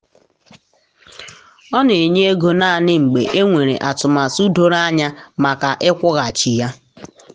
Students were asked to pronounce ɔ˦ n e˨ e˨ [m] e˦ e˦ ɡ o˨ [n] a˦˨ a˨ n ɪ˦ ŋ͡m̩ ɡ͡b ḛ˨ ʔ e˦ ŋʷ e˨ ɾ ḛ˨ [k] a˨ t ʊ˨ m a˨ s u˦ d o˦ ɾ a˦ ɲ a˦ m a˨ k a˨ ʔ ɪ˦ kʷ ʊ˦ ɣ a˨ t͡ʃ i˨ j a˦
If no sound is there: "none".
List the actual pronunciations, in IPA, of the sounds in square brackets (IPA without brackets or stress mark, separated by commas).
ɲ, n, ʔ